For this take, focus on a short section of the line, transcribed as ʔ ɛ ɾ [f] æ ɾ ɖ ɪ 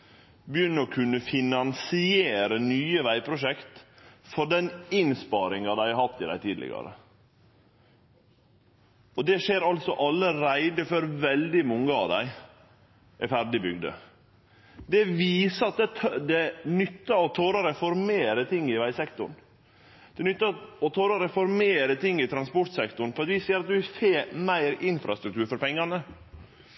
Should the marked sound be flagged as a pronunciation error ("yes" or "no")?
no